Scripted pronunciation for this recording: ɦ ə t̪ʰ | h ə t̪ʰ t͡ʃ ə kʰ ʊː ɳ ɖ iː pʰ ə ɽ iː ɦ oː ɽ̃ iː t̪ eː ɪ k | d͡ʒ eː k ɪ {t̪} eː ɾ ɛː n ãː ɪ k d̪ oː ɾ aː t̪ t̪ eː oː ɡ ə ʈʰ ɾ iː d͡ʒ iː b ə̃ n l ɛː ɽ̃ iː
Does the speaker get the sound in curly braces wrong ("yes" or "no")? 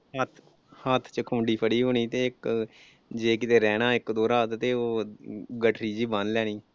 no